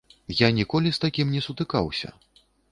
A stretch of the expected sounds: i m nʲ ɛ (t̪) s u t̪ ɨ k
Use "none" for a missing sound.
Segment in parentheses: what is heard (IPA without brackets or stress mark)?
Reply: none